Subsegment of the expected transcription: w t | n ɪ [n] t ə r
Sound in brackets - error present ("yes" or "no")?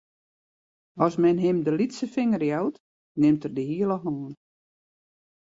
yes